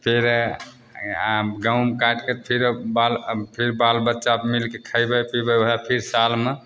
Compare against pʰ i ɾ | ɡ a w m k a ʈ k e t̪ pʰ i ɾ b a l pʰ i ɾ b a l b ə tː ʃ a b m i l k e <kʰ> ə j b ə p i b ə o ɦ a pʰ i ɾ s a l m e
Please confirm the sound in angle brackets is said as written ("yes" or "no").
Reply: yes